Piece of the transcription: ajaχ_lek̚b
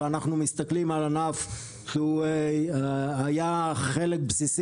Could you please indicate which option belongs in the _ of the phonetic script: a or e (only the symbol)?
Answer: e